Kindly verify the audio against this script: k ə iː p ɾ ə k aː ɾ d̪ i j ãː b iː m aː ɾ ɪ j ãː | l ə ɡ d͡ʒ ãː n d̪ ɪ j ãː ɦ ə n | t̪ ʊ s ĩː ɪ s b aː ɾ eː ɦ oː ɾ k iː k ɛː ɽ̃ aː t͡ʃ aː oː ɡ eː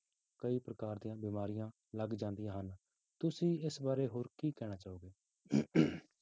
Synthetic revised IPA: k ə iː p ɾ ə k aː ɾ d̪ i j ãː b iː m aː ɾ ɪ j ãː | l ə ɡ d͡ʒ ãː n d̪ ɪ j ãː ɦ ə n | t̪ ʊ s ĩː ɪ s b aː ɾ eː ɦ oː ɾ k iː k ɛː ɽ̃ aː t͡ʃ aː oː ɡ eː